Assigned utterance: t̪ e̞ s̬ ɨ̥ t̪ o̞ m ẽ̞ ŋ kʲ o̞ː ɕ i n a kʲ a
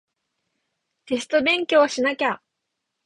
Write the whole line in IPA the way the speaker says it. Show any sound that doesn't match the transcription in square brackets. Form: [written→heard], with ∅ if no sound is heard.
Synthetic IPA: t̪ e̞ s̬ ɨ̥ t̪ o̞ [m→b] ẽ̞ ŋ kʲ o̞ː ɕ i n a kʲ a